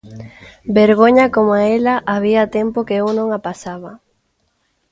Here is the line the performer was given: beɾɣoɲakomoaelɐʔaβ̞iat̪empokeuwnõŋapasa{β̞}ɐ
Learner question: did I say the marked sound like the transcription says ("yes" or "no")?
yes